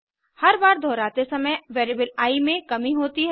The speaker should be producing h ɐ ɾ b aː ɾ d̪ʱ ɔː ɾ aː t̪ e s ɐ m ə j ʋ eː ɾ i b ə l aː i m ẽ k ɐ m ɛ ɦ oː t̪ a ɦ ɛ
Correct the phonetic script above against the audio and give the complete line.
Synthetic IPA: h ɐ ɾ b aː ɾ d̪ʱ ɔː ɾ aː t̪ e s ɐ m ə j ʋ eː ɾ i b ə l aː i m ẽ k ɐ m i ɦ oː t̪ i ɦ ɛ